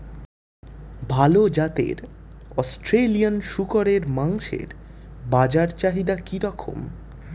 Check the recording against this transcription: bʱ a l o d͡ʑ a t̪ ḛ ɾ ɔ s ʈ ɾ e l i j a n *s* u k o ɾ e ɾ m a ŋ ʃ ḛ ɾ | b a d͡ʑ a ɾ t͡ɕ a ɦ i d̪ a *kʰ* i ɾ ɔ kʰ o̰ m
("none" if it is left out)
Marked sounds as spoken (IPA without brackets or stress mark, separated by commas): ʃ, k